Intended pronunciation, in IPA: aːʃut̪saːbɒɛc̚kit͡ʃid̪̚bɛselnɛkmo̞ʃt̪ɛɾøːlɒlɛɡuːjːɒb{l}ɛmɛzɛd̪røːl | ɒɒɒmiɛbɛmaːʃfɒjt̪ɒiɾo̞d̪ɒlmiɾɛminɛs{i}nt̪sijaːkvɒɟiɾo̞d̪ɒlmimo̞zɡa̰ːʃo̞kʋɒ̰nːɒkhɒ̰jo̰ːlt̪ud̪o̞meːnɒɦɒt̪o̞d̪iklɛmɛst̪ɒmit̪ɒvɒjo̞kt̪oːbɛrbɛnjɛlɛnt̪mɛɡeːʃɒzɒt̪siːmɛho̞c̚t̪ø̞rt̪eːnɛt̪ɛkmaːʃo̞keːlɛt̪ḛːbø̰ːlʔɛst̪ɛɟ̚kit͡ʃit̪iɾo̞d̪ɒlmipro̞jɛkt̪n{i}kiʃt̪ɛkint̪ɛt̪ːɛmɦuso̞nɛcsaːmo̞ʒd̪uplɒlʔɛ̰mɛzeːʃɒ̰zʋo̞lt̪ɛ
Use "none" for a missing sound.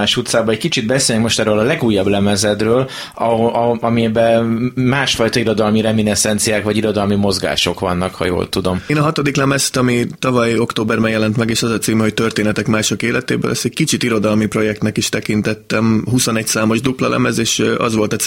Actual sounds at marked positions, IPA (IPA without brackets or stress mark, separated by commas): l, ɛ, ɛ